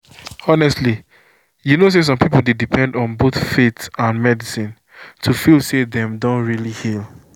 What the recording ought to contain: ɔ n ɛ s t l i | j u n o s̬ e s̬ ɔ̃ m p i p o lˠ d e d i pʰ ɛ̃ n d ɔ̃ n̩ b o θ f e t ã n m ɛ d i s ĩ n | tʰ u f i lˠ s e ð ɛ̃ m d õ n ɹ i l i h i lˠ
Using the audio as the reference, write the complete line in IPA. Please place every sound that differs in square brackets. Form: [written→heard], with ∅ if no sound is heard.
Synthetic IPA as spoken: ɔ n ɛ s t l i | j u n o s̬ e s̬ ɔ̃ m p i p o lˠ d e d i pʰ ɛ̃ n d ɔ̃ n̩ b o θ f e t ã n m ɛ d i s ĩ n | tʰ u f i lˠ s e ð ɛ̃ m d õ n ɹ i l i h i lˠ